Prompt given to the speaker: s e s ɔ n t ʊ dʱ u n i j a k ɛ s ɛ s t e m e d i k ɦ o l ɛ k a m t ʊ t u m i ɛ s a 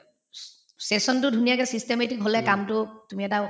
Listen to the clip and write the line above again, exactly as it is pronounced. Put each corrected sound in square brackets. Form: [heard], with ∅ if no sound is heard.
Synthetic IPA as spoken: s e s ɔ n t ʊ dʱ u n i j a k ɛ s [i] s t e m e [t] i k ɦ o l ɛ k a m t ʊ t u m i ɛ [t] a